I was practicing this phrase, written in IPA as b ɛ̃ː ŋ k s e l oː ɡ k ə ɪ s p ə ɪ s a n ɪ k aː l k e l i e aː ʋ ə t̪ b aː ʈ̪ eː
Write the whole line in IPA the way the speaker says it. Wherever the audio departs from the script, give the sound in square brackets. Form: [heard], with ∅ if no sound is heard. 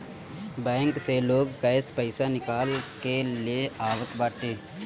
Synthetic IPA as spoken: b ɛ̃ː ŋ k s e l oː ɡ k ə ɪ s p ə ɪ s a n ɪ k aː l k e l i e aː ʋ ə t̪ b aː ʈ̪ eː